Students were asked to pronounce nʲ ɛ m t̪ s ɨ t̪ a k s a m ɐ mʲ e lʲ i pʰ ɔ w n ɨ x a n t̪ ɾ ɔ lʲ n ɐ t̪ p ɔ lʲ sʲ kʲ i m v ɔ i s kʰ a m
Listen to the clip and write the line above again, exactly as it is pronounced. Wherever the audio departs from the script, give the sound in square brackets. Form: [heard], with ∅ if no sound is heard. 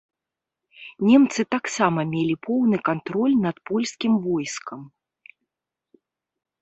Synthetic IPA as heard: nʲ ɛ m t̪ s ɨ t̪ a k s a m ɐ mʲ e lʲ i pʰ ɔ w n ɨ [k] a n t̪ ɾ ɔ lʲ n ɐ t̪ p ɔ lʲ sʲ kʲ i m v ɔ [j] s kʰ [ɐ] m